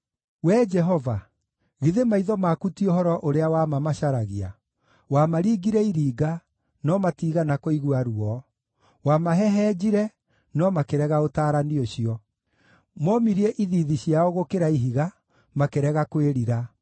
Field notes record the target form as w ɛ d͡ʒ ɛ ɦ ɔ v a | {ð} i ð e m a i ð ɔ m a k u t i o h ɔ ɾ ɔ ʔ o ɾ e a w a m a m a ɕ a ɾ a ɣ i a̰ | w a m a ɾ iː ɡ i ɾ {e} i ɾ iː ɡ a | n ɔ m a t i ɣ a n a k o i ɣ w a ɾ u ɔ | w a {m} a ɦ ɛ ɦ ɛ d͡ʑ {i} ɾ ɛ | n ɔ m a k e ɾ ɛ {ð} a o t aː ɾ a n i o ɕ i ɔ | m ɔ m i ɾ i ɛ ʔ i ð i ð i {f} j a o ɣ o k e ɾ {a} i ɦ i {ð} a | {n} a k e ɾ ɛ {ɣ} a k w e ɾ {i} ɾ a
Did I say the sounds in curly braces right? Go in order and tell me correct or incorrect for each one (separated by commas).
incorrect, incorrect, correct, correct, incorrect, incorrect, correct, incorrect, incorrect, correct, correct